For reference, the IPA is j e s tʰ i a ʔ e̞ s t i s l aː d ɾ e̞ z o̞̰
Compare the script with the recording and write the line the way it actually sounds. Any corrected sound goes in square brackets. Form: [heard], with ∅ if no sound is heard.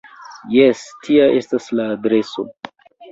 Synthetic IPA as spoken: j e s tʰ i a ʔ e̞ s t [a] s l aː d ɾ e̞ [s] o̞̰